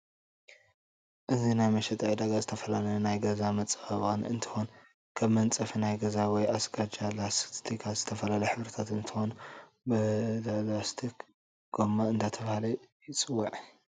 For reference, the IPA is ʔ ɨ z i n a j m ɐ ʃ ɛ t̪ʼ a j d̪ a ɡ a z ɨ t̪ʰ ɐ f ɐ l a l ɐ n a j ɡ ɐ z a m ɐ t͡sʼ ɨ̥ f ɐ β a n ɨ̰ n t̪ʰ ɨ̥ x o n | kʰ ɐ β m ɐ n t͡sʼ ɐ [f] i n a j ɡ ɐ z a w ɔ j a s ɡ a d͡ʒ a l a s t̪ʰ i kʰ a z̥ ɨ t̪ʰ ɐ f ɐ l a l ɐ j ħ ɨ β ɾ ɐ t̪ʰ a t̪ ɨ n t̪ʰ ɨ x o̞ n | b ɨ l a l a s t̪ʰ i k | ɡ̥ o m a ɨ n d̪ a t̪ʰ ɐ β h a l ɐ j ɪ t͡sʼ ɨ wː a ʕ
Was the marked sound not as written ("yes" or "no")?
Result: no